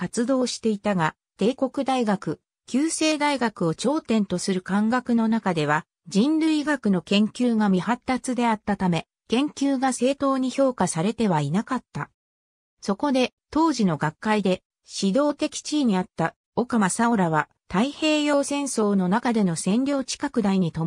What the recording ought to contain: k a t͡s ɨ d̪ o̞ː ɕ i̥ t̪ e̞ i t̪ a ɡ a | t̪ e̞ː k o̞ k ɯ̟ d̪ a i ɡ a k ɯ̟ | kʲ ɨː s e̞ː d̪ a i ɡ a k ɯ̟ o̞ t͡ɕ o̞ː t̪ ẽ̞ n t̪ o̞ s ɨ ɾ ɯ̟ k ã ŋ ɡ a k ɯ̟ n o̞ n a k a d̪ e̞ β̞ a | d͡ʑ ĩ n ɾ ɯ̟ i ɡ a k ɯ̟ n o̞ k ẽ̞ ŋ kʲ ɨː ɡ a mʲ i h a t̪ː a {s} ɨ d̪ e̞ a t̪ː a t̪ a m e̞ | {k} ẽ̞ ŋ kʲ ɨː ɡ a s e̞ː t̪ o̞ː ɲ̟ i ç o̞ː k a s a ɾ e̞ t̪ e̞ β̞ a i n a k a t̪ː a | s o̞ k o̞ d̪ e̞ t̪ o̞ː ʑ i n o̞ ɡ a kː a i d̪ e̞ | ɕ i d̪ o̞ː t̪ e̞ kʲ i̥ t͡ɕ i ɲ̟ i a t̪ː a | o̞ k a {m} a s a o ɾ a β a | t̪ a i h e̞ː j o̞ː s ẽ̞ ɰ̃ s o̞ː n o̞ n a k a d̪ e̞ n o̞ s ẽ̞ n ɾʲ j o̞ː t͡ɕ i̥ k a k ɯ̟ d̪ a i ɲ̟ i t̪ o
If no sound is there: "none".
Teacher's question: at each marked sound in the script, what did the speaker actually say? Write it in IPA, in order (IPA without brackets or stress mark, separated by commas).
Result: t͡s, k, m